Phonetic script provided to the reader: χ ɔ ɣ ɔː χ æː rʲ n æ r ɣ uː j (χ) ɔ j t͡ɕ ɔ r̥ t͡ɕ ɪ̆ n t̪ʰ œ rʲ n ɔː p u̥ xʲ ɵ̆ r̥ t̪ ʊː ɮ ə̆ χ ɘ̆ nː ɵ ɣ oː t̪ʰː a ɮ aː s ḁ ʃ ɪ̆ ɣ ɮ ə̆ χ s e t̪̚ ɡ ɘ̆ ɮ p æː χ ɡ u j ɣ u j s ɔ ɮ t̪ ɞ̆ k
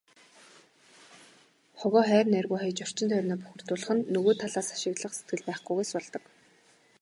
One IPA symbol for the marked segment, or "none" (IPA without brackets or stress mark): χ